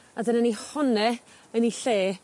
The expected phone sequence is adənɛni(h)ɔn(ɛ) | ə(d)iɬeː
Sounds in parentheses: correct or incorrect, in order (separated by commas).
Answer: correct, correct, incorrect